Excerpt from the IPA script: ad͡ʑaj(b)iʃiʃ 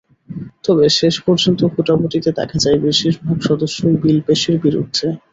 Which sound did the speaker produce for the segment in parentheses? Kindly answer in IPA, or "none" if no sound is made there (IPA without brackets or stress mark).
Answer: b